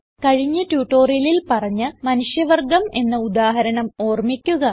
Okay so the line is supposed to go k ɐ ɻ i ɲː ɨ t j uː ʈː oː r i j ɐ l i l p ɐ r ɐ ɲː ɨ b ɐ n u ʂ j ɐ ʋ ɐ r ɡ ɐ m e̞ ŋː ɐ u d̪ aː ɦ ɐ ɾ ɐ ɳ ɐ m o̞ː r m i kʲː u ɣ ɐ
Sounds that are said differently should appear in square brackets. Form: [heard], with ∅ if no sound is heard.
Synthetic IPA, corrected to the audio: k ɐ ɻ i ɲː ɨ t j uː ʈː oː r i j ɐ l i l p ɐ r ɐ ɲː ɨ [m] ɐ n u ʂ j ɐ ʋ ɐ r ɡ ɐ m e̞ [nː] ɐ u d̪ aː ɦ ɐ ɾ ɐ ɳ ɐ m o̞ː r m i kʲː u ɣ ɐ